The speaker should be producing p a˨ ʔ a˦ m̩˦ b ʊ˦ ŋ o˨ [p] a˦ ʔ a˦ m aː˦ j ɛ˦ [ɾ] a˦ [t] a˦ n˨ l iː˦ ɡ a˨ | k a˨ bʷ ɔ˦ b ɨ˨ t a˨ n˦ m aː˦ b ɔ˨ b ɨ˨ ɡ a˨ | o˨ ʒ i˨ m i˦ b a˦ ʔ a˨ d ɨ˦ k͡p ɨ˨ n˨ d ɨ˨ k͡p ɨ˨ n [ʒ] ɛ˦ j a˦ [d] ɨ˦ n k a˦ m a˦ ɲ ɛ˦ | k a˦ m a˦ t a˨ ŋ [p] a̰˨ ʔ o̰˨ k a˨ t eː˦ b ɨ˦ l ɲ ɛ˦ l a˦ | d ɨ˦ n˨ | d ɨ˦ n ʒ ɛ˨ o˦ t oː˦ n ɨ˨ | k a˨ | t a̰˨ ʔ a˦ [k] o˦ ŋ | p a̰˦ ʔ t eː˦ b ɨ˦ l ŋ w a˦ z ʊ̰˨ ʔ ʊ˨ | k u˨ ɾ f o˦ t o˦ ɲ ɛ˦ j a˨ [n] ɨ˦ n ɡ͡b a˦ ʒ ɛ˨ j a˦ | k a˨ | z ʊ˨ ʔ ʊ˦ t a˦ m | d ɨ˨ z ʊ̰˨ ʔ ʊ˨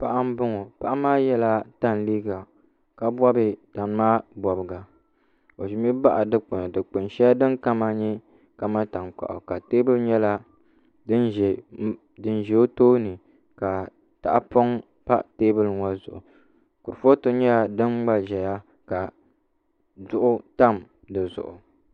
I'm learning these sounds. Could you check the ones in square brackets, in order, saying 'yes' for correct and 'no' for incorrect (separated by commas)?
yes, no, yes, no, yes, no, no, no